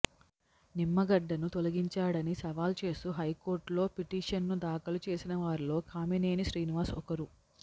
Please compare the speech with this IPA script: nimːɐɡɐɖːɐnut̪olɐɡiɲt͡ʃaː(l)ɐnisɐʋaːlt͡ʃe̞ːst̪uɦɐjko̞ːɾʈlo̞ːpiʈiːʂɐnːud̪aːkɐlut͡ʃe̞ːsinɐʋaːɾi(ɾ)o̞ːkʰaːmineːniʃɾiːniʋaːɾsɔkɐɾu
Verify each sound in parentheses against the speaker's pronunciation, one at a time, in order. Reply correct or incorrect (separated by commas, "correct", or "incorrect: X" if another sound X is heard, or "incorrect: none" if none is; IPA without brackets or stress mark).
incorrect: ɽ, incorrect: l